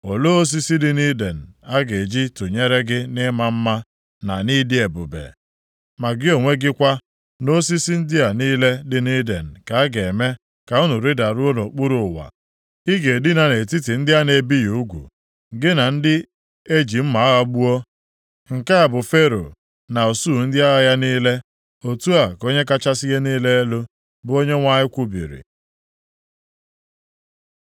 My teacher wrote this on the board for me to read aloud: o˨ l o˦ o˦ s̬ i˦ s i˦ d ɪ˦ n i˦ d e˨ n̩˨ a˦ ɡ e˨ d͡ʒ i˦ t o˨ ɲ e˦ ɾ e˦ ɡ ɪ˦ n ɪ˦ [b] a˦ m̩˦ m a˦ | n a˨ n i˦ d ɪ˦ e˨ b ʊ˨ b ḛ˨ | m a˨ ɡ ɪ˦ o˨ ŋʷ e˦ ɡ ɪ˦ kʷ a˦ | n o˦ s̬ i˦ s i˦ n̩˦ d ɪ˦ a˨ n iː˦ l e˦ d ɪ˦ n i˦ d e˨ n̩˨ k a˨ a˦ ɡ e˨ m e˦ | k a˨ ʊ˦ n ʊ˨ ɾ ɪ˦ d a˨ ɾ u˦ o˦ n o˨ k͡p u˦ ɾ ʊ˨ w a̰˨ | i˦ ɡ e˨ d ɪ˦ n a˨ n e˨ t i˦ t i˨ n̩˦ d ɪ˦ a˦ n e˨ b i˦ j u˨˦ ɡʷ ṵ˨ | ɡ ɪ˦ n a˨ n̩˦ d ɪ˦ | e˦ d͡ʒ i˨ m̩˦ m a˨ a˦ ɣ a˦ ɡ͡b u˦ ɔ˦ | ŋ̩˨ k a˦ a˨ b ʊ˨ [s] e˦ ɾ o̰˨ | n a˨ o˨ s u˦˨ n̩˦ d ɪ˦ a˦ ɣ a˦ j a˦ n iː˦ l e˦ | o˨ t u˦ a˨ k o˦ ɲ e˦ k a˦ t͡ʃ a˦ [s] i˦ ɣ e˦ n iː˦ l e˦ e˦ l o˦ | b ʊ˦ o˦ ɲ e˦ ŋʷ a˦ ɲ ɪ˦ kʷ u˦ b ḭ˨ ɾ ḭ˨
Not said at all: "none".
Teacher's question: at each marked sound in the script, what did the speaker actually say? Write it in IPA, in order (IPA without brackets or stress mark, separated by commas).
m, f, s